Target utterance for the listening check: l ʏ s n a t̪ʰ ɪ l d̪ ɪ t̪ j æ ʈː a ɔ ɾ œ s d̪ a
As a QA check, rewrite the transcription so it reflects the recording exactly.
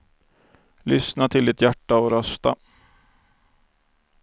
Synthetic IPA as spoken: l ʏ s n a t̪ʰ ɪ l d̪ ɪ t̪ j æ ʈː a ɔ ɾ œ s t̪ a

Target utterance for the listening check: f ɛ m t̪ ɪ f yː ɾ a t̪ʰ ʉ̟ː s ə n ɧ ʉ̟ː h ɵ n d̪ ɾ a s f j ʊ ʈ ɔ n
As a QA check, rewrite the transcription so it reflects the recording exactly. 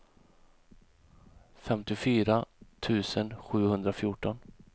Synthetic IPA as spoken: f ɛ m t̪ ɪ f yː ɾ a t̪ʰ ʉ̟ː s ə n ɧ ʉ̟ː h ɵ n d̪ ɾ a f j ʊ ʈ ɔ n

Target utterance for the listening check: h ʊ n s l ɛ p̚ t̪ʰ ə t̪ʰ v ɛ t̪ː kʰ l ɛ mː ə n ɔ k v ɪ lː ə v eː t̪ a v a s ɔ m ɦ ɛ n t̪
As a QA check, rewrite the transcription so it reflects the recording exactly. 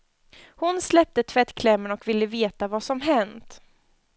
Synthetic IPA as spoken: h ʊ n s l ɛ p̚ t̪ ə t̪ʰ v ɛ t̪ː kʰ l ɛ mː ə n ɔ k v ɪ lː ə v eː t̪ a v a s ɔ m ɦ ɛ n t̪

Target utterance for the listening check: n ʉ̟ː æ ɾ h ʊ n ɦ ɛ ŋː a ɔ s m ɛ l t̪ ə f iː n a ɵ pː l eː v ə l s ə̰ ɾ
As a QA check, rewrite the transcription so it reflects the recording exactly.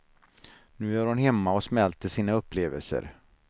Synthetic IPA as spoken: n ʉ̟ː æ ɾ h ʊ n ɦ ɛ mː a ɔ s m ɛ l t̪ ə ʂ iː n a ɵ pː l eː v ə l s ə̰ ɾ

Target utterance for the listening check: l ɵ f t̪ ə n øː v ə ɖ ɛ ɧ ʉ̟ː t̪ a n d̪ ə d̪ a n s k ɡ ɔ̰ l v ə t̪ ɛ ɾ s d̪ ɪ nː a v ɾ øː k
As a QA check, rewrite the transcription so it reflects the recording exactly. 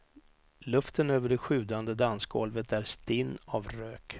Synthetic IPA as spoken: l ɵ f t̪ ə n øː v ə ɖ ɛ ɧ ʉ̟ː d̪ a n d̪ ə d̪ a n s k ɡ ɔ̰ l v ə t̪ æ ɾ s t̪ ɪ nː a v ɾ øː k

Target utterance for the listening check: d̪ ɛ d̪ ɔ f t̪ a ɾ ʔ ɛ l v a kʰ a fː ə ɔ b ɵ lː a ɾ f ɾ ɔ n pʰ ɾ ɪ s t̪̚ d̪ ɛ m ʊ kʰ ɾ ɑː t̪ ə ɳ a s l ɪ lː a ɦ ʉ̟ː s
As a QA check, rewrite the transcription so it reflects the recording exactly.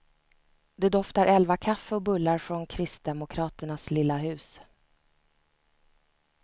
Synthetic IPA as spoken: d̪ ɛ d̪ ɔ f t̪ a ɾ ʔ ɛ l v a kʰ a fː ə ɔ b ɵ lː a ɾ f ɾ ɔ n kʰ ɾ ɪ s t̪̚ d̪ ɛ m ʊ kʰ ɾ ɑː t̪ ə ɳ a s l ɪ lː a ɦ ʉ̟ː s

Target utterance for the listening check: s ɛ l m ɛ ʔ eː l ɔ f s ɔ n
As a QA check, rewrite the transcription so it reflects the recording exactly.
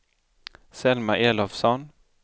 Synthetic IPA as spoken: s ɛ l m a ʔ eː l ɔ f s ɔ n

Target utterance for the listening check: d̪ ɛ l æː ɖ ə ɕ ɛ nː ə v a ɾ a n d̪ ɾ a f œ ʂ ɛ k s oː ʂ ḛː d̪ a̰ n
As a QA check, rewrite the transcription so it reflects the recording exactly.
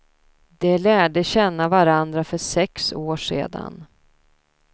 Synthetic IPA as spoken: d̪ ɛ l æː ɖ ə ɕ ɛ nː a v a ɾ a n d̪ ɾ a f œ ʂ ɛ k s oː ʂ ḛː d̪ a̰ n

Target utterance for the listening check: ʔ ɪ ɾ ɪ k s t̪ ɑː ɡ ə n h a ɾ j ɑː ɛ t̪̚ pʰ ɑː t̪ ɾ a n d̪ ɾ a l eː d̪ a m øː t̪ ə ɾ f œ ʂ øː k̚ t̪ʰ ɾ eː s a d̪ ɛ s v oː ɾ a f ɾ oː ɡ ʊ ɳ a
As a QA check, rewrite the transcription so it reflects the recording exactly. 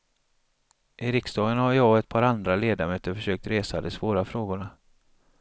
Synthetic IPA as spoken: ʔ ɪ ɾ ɪ k s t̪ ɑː ɡ ə n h a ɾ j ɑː ɛ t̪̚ pʰ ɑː ɾ a n d̪ ɾ a l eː d̪ a m øː t̪ ə ɾ f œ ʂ øː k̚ t̪ ɾ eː s a d̪ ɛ s v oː ɾ a f ɾ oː ɡ ʊ ɳ a

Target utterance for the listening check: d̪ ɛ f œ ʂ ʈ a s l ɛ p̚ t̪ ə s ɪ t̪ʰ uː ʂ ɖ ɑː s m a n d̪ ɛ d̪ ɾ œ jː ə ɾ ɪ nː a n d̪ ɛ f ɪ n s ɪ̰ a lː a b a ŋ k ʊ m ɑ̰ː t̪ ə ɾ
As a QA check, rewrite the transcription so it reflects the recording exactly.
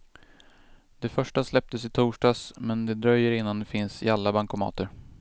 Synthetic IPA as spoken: d̪ ɛ f œ ʂ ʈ a s l ɛ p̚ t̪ ə s ɪ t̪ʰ uː ʂ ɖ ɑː s m ɛ n d̪ ɛ d̪ ɾ œ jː ə ɾ ɪ nː a n d̪ ɛ f ɪ n s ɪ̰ a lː a b a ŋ k ʊ m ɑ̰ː t̪ ə ɾ

